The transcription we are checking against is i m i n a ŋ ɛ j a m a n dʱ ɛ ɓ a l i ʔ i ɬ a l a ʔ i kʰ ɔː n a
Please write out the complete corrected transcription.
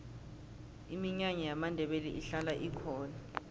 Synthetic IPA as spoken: i m i ɲ a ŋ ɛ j a m a n dʱ ɛ ɓ e l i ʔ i ɬ a l a ʔ i kʰ ɔː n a